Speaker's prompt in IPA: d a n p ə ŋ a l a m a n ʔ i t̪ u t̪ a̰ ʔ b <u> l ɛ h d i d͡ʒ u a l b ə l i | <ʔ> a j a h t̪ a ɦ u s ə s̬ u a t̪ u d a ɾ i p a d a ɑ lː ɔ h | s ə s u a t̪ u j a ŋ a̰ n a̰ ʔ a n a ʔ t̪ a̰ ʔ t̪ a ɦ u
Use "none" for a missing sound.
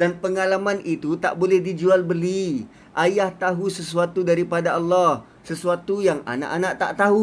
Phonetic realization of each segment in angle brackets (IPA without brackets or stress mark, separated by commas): o, ʔ